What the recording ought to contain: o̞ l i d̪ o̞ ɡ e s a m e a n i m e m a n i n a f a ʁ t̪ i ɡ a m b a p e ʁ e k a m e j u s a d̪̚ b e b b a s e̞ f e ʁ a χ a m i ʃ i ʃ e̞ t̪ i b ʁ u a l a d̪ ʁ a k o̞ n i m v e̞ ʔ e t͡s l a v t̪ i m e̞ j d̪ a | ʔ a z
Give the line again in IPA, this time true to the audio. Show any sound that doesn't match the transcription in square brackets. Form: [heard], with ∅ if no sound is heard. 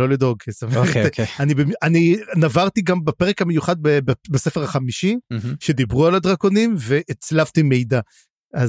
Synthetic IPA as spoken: o̞ l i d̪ o̞ ɡ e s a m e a n i [b] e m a n i n a [v] a ʁ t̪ i ɡ a m b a p e ʁ e k a m e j u [χ] a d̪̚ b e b b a s e̞ f e ʁ a χ a m i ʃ i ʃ e̞ [d̪] i b ʁ u a l a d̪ ʁ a k o̞ n i m v e̞ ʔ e t͡s l a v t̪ i m e̞ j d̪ a | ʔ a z